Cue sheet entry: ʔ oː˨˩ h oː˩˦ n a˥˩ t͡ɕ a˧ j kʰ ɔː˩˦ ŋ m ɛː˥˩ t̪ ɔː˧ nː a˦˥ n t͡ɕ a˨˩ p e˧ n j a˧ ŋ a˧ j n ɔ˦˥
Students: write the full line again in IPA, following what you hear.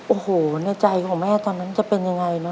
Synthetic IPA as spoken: ʔ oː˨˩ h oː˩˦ n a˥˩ t͡ɕ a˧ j kʰ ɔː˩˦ ŋ m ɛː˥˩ t̪ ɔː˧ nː a˦˥ n t͡ɕ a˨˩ p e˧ n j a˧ ŋ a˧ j n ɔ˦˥